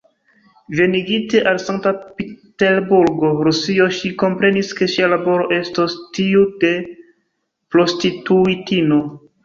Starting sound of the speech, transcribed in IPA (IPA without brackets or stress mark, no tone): v